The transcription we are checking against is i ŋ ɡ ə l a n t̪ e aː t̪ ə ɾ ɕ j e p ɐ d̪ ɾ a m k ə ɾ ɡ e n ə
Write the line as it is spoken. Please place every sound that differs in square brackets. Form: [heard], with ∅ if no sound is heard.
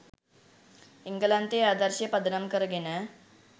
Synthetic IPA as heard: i ŋ ɡ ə l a n t̪ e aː [d̪] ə ɾ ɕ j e p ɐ d̪ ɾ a m k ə ɾ ɡ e n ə